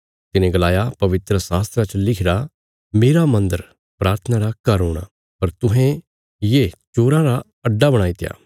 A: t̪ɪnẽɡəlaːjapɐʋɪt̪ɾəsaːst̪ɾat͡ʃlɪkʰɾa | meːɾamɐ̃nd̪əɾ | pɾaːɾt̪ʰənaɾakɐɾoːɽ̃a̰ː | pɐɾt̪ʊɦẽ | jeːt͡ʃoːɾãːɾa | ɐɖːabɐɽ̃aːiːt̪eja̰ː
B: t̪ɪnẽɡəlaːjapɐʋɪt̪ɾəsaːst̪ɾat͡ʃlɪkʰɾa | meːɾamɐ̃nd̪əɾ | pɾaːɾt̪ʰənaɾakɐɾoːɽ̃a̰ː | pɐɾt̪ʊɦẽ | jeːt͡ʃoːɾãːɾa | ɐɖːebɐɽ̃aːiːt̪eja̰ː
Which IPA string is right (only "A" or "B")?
A